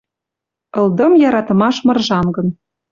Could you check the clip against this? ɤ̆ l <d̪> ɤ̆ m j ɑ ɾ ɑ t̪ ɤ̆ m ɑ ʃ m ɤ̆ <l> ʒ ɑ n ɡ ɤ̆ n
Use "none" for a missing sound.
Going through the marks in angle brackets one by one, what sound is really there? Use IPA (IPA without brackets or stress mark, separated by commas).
d̪, r